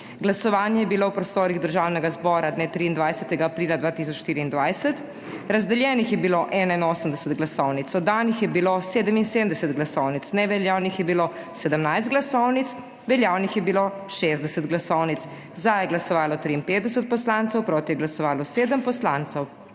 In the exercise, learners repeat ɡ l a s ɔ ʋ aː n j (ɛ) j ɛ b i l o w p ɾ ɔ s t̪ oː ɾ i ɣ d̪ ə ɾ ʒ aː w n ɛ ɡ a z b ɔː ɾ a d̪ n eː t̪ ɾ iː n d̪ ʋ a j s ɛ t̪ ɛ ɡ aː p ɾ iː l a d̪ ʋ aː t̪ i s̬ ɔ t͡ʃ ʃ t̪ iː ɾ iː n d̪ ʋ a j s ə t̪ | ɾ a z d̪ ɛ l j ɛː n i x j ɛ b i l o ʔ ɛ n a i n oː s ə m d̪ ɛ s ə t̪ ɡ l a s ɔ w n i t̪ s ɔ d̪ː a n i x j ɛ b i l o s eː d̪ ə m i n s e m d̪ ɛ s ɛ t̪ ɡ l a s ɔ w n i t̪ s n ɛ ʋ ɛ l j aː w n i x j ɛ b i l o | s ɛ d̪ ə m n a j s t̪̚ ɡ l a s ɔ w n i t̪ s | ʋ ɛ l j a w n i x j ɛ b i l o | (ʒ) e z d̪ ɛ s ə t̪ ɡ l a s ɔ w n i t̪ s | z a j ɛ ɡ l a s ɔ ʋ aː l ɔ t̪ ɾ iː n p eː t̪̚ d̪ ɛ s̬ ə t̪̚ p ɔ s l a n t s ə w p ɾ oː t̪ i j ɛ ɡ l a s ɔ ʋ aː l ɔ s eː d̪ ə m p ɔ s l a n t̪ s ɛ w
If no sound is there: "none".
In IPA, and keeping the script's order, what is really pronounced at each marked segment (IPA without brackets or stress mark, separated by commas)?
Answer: ɛ, ʃ